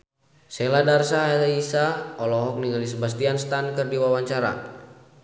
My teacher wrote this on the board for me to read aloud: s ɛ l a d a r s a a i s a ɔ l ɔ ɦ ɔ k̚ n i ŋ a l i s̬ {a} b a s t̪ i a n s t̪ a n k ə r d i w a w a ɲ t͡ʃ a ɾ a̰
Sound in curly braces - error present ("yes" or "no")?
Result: yes